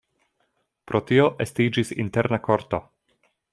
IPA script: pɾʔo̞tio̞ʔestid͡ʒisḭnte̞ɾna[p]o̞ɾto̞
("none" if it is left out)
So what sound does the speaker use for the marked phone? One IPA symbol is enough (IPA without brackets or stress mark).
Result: k